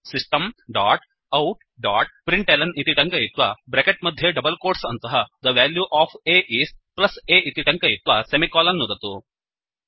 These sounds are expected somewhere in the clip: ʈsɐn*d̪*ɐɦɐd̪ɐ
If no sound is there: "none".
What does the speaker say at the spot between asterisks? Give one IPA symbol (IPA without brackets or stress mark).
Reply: t̪